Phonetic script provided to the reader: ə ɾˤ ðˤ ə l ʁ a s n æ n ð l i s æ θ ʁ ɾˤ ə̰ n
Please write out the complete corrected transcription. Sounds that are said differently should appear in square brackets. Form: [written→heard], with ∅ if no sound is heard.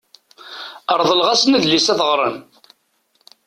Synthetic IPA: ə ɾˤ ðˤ ə l ʁ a s n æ [n→∅] ð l i s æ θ ʁ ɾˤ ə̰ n